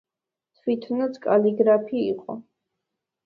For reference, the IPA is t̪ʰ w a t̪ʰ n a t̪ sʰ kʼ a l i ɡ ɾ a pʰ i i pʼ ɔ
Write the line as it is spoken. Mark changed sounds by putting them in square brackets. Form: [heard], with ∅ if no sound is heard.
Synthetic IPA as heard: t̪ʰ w [i] t̪ʰ n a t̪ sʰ kʼ a l i ɡ ɾ a pʰ i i [qʼ] ɔ